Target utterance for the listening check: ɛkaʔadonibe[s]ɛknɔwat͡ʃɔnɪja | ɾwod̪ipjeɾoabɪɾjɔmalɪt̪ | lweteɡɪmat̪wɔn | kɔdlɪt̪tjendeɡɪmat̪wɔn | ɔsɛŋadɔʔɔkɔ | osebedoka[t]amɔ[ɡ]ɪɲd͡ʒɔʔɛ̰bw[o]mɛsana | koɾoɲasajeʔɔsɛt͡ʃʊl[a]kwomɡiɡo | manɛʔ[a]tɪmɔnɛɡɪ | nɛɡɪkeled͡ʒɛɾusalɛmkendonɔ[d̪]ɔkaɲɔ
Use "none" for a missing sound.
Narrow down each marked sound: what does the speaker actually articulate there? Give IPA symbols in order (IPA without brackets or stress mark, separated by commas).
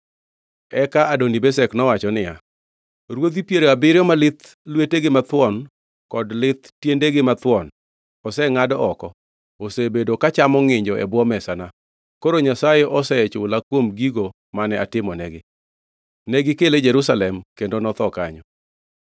s, t͡ʃ, ŋ, ɔ, a, a, t̪